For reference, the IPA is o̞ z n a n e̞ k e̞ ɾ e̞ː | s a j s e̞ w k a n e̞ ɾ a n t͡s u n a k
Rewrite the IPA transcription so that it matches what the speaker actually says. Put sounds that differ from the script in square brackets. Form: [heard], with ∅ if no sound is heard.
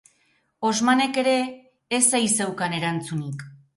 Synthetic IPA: o̞ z [m] a n e̞ k e̞ ɾ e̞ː | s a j s e̞ w k a n e̞ ɾ a n t͡s u n [i] k